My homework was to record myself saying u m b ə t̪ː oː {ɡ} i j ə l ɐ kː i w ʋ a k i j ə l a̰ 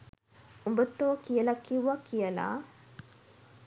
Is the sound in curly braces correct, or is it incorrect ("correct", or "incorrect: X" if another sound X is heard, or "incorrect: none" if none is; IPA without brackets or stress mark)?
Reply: incorrect: k